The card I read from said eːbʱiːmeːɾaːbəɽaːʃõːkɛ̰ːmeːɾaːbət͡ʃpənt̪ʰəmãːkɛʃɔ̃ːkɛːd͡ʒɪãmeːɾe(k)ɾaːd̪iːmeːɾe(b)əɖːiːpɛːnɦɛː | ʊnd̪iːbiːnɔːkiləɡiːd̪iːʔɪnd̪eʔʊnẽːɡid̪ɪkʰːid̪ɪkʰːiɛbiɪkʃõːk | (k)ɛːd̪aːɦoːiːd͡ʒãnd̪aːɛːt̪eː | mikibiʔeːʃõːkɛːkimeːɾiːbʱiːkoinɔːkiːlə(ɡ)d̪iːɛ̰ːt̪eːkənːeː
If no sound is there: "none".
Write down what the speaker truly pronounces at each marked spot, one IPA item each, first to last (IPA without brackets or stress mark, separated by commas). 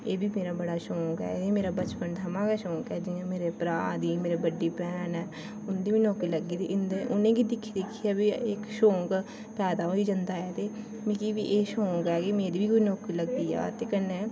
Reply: p, b, p, ɡ